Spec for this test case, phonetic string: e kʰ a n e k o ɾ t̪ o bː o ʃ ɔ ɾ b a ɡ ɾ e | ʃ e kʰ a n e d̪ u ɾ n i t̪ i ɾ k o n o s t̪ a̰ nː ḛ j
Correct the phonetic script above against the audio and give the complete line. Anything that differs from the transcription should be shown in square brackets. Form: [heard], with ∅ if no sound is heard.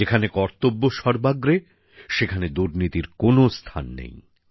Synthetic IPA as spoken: e kʰ a n e k [ɔ] ɾ t̪ o bː o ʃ ɔ ɾ b a ɡ ɾ e | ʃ e kʰ a n e d̪ u ɾ n i t̪ i ɾ k o n o s [t̪ʰ] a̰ nː ḛ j